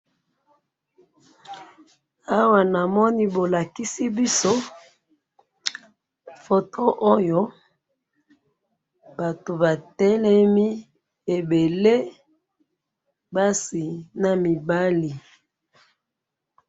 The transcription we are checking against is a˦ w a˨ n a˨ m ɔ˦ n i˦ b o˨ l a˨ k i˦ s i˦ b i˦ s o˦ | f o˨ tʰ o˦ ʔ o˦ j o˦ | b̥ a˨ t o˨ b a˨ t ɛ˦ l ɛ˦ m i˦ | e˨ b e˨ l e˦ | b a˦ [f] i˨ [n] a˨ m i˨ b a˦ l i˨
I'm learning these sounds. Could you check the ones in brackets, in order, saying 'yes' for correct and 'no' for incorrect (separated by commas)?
no, yes